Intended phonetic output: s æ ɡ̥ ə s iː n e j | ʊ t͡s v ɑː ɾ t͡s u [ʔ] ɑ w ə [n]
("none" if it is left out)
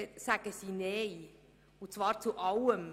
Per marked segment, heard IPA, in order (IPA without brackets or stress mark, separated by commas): ʔ, m